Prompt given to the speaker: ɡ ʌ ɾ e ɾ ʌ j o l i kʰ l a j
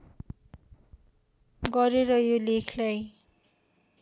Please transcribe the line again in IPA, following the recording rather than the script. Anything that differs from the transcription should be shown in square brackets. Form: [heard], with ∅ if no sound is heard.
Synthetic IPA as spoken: ɡ ʌ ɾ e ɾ ʌ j o l [e] kʰ l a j